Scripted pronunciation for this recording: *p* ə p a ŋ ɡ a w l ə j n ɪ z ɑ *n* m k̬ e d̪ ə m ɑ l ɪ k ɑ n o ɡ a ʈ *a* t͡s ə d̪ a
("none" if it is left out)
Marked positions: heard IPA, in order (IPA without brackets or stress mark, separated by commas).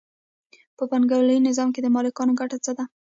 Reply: p, none, a